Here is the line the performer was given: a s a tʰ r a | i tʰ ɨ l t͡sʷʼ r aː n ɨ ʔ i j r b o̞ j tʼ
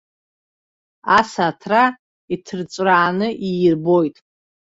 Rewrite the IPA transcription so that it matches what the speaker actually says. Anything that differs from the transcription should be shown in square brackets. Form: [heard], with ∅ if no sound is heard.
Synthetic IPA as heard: a s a tʰ r a | i tʰ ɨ [r] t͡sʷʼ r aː n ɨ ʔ i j r b o̞ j tʼ